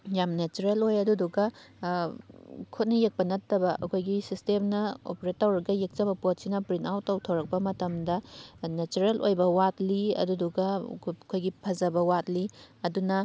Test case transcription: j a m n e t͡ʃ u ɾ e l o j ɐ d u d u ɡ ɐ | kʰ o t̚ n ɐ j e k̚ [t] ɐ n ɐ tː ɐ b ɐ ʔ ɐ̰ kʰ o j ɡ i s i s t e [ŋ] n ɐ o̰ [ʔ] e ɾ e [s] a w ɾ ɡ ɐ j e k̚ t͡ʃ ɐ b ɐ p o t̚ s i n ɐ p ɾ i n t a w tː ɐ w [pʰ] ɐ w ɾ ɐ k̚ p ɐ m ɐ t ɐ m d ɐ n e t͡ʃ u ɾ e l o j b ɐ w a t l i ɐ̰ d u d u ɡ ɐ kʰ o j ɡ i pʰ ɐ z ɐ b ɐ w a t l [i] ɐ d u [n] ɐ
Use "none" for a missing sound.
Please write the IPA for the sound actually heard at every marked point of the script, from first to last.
p, m, p, t, tʰ, i, n

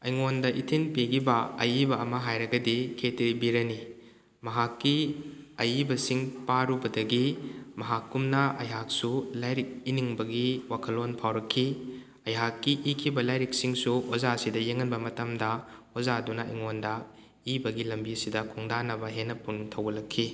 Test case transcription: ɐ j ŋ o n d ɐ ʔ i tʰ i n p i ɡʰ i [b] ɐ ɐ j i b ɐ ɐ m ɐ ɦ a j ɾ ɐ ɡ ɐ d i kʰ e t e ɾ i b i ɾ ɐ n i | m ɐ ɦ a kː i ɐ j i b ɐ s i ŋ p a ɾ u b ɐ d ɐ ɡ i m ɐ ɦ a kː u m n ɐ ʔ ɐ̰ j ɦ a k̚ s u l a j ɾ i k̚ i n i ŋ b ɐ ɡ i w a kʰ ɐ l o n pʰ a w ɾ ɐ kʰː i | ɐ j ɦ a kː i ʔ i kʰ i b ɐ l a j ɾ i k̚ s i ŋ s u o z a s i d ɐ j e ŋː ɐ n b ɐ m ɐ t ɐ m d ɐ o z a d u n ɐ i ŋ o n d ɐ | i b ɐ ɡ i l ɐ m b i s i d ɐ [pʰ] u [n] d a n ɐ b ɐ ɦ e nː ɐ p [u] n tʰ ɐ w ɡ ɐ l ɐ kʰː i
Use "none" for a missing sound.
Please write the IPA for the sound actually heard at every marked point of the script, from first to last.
b, kʰ, ŋ, u

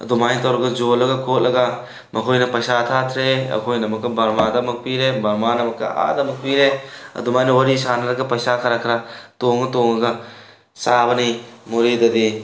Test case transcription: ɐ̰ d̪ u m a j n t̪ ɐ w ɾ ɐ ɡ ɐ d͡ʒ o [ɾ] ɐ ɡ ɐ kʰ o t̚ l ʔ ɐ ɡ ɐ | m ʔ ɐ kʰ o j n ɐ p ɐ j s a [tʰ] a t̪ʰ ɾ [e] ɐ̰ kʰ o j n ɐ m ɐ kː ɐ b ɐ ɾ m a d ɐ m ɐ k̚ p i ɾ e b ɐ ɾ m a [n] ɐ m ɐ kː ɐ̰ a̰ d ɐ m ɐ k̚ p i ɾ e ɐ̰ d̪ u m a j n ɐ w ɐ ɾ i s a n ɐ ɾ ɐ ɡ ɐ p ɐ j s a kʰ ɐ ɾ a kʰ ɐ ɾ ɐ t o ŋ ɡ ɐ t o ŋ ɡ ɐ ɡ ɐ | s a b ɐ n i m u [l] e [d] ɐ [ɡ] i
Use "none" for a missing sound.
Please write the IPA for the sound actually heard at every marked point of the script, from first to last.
l, tʰ, e, n, ɾ, d, d

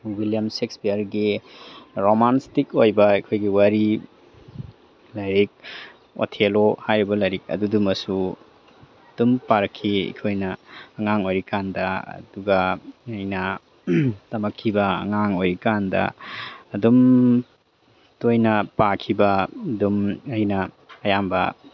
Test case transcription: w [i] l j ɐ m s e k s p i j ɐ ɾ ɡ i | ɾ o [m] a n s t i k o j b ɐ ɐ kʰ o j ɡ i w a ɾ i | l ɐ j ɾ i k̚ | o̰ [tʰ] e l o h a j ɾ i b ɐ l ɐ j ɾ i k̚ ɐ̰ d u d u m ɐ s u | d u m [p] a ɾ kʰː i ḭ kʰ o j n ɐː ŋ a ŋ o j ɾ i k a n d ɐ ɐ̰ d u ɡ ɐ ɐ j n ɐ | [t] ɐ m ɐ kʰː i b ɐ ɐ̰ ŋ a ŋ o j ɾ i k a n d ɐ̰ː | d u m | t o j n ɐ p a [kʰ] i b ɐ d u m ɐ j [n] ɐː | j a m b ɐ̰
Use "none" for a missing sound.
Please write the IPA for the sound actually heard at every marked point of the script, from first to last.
i, m, tʰ, p, t, kʰ, n

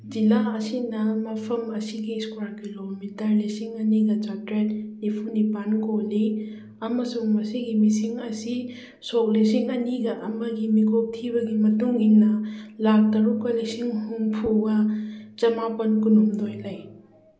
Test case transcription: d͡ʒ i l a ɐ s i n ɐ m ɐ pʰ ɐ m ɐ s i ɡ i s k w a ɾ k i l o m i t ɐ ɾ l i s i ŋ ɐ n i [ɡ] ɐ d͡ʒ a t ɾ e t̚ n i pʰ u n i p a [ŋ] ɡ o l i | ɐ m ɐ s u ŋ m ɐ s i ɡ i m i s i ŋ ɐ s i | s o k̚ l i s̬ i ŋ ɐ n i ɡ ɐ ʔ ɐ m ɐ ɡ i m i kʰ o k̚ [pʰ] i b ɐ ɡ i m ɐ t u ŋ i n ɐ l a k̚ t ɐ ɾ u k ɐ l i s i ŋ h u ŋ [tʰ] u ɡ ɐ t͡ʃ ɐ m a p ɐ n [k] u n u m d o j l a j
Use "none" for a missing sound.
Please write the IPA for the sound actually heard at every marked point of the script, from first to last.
ɡ, n, tʰ, pʰ, k

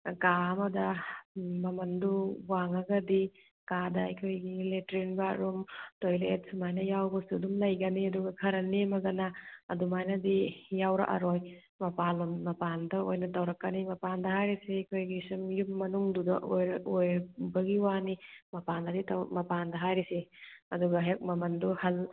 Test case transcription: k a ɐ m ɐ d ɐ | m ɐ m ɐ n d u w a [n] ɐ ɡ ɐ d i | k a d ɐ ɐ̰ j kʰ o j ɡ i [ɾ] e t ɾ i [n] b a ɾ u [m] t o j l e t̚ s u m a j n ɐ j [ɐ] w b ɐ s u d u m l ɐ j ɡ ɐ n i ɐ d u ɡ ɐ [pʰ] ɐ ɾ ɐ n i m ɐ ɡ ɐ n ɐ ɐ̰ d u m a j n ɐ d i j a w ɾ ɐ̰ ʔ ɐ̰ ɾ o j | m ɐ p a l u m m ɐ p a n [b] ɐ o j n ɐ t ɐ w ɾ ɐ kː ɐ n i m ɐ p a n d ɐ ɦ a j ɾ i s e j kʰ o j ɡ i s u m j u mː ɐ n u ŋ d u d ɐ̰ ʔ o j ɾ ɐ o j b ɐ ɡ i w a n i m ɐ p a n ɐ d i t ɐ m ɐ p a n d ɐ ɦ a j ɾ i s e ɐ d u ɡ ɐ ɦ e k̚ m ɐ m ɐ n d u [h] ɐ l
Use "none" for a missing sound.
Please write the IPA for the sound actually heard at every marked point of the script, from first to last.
ŋ, l, n, m, a, kʰ, d, h

